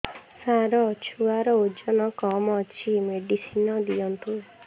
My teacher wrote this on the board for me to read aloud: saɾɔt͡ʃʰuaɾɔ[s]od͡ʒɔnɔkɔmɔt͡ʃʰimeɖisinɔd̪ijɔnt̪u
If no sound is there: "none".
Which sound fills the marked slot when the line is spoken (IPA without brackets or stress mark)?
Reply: none